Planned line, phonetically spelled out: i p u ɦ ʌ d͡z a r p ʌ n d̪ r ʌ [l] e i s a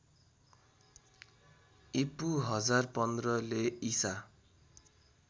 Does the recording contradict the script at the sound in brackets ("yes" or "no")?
no